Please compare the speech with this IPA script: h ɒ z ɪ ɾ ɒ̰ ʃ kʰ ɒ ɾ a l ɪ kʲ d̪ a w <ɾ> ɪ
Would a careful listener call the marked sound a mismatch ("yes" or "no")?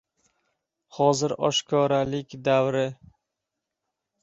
no